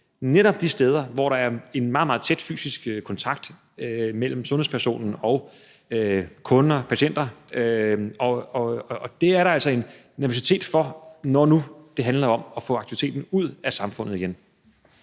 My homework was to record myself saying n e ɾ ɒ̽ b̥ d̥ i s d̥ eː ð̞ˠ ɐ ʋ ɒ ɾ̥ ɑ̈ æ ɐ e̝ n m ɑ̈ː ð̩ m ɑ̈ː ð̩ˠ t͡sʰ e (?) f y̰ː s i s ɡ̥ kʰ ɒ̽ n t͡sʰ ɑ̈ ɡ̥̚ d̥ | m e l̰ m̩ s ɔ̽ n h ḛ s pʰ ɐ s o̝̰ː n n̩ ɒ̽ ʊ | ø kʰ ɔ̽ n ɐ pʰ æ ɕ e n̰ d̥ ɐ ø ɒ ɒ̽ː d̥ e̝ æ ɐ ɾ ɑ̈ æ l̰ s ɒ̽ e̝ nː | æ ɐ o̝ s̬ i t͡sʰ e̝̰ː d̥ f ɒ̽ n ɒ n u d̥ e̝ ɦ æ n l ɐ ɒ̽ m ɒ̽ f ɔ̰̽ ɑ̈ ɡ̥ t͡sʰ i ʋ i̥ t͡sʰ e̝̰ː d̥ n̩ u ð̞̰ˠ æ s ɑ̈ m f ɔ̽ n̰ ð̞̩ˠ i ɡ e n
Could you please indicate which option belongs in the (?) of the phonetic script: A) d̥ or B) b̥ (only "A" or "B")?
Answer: A